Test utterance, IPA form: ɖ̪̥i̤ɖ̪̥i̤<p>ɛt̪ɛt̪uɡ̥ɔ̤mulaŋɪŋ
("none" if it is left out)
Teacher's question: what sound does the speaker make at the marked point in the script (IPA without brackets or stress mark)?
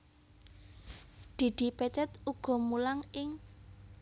p